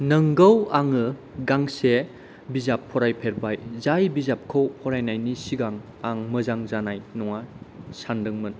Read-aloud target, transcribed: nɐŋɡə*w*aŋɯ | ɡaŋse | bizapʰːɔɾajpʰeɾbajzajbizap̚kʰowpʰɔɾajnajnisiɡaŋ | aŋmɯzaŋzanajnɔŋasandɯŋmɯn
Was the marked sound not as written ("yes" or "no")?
no